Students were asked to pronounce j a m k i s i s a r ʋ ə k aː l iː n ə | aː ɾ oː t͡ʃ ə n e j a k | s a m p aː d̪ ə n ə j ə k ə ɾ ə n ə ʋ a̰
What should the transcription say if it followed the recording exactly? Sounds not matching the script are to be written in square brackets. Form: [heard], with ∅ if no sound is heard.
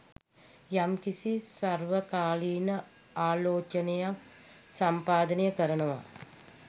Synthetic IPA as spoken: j a m k i s i s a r ʋ ə k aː l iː n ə | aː [l] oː t͡ʃ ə n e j a k | s a m p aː d̪ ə n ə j ə k ə ɾ ə n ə ʋ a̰